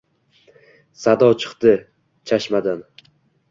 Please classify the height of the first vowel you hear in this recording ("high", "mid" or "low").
low